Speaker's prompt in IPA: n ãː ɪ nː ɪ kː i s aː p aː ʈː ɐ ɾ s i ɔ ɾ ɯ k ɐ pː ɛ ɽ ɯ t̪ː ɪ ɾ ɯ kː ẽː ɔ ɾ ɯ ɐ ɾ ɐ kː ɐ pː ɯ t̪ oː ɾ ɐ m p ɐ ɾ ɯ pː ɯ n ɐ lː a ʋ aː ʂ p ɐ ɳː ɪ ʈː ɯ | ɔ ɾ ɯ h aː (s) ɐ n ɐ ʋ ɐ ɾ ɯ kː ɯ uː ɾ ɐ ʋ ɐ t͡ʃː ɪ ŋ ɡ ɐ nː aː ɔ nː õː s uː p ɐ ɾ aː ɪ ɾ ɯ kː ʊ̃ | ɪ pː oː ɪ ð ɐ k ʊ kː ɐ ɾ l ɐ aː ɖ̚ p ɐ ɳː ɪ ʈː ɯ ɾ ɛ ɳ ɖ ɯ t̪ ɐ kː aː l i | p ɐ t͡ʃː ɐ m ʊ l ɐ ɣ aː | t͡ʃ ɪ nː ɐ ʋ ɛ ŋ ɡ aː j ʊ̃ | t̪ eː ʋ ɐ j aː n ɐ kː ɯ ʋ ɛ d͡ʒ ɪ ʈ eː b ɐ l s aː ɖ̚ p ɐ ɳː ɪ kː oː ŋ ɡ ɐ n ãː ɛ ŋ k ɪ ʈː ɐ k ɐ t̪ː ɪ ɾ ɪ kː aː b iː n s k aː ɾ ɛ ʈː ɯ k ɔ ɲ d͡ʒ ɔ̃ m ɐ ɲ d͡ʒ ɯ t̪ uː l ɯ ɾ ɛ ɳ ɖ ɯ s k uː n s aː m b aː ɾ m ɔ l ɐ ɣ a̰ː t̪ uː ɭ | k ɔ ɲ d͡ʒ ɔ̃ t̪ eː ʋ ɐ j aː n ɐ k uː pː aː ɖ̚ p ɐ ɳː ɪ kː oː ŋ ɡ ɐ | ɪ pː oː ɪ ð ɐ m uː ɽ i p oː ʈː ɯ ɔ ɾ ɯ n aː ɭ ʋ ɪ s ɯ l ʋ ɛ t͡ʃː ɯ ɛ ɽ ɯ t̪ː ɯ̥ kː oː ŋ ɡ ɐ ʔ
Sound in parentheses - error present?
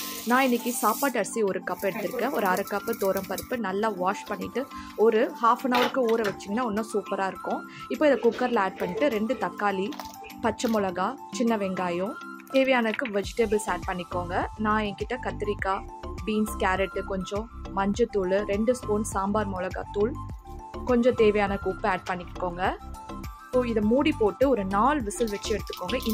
yes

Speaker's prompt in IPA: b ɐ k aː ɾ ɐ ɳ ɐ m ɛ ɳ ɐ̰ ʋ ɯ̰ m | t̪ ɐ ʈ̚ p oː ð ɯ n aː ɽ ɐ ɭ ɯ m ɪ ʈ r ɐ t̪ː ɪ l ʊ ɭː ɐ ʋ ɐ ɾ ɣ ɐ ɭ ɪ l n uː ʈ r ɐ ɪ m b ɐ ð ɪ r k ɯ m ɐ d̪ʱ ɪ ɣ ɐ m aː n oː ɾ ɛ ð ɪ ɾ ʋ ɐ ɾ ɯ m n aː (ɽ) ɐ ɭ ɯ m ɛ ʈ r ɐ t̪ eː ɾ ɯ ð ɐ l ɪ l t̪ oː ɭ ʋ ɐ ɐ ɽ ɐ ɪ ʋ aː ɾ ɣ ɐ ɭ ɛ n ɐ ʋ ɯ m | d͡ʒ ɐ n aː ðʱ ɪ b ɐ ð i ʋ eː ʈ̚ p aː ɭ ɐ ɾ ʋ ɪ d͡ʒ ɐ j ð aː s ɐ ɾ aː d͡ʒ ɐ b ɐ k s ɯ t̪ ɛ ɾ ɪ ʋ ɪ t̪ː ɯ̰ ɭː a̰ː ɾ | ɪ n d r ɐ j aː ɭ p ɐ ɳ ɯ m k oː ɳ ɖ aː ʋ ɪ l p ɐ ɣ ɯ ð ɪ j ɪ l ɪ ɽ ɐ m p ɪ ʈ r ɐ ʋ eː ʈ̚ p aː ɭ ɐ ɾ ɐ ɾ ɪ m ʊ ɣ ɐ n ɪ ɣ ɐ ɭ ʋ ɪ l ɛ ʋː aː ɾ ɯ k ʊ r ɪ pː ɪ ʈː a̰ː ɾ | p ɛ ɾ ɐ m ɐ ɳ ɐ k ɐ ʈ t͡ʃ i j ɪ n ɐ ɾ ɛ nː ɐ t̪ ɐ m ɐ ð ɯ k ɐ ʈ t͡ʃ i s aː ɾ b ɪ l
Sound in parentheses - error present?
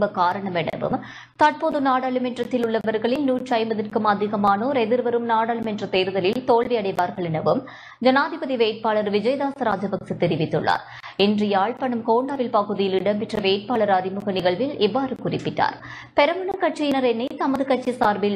no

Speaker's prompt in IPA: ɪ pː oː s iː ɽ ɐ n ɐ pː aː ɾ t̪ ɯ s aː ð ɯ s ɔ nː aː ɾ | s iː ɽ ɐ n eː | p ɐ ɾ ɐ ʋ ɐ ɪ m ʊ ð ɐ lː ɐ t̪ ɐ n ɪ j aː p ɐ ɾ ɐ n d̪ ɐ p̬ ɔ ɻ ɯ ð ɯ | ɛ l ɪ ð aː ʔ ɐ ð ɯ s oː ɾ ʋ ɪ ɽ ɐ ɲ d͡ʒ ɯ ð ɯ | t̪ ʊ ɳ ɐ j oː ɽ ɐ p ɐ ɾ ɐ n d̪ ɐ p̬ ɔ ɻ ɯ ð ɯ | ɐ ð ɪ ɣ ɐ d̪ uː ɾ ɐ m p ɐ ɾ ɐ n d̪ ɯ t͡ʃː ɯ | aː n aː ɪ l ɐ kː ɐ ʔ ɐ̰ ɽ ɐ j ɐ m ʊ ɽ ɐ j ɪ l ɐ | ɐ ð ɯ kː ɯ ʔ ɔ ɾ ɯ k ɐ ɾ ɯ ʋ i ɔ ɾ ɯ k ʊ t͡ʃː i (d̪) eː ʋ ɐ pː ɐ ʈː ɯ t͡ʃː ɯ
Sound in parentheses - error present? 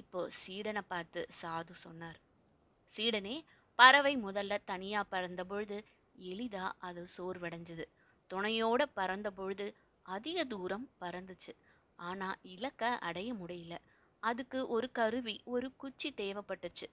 yes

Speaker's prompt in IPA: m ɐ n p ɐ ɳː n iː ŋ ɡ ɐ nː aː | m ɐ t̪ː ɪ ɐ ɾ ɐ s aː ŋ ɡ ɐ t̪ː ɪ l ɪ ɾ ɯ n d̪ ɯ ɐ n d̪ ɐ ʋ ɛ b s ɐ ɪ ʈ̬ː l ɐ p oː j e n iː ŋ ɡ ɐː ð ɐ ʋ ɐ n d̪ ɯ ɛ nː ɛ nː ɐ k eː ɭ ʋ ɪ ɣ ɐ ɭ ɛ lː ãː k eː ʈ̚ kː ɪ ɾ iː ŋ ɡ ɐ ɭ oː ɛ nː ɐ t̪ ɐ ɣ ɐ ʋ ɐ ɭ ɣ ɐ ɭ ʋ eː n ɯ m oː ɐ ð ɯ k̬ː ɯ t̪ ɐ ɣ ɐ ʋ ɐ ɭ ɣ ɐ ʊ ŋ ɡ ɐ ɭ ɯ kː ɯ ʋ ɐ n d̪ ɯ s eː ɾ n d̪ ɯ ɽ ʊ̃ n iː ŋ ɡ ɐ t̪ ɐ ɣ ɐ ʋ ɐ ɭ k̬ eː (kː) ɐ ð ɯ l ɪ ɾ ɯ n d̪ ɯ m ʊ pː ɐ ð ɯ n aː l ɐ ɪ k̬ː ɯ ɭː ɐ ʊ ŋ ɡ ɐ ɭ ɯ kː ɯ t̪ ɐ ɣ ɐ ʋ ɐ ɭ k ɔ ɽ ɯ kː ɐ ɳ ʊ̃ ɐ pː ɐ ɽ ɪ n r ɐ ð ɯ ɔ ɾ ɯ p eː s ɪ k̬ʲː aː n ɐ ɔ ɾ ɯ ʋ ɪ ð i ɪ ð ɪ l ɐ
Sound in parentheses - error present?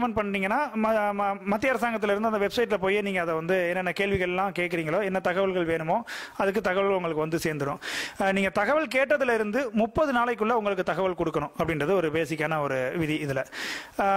yes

